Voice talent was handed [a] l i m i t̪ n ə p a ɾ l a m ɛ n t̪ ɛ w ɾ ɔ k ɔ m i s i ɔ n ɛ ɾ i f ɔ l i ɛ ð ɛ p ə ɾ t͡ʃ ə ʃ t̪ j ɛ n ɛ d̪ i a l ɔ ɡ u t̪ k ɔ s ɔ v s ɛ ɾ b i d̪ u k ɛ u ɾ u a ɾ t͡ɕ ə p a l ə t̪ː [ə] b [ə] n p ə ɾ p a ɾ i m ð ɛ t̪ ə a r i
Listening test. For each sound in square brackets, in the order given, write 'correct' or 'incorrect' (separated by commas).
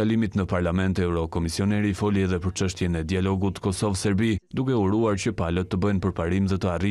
correct, correct, correct